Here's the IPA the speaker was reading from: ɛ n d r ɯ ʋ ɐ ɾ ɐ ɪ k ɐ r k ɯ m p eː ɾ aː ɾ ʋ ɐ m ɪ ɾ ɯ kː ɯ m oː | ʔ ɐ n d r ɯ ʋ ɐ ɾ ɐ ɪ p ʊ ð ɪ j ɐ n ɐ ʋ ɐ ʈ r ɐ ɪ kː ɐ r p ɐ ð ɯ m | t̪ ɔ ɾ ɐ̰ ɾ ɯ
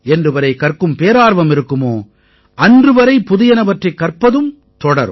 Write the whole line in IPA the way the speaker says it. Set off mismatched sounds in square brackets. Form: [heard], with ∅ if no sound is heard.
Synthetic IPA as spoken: ɛ n d r ɯ ʋ ɐ ɾ ɐ ɪ k ɐ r k ɯ m p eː ɾ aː ɾ ʋ ɐ m ɪ ɾ ɯ kː ɯ m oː | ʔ ɐ n d r ɯ ʋ ɐ ɾ ɐ ɪ p ʊ ð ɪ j ɐ n ɐ ʋ ɐ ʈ r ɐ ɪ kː ɐ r p ɐ ð ɯ m | t̪ ɔ [ɽ] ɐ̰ ɾ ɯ